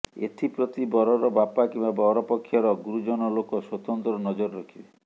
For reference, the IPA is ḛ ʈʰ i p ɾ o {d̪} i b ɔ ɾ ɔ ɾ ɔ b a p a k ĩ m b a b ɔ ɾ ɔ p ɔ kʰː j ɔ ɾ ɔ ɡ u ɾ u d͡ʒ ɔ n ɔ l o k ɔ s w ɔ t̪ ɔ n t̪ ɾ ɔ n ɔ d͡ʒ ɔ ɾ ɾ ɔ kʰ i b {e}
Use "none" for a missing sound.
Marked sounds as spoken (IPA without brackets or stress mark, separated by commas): t̪, e